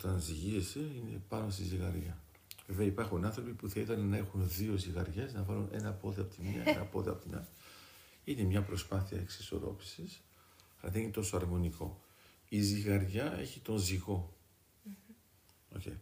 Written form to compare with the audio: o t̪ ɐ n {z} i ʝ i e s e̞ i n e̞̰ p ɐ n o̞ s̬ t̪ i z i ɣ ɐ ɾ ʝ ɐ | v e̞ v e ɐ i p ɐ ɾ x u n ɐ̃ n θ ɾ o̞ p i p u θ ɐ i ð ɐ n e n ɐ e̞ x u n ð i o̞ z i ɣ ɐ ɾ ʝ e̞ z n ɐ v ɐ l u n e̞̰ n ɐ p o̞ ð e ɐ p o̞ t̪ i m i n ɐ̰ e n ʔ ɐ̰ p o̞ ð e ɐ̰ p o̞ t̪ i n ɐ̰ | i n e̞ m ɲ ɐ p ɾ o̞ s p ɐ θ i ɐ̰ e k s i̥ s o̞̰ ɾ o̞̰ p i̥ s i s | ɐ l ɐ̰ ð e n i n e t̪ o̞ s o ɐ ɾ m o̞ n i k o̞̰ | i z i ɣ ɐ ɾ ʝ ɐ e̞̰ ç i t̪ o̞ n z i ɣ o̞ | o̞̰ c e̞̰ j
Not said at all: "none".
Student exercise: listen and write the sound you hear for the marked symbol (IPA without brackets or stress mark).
z